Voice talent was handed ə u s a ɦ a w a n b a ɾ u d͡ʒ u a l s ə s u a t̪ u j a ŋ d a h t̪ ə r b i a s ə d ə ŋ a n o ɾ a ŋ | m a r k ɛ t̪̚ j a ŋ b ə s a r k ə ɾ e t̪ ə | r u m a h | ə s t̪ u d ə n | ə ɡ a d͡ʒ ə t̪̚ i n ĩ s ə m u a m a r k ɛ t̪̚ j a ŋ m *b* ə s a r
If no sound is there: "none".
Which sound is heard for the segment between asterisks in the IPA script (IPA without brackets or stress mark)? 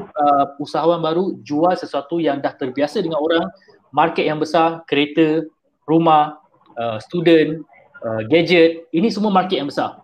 b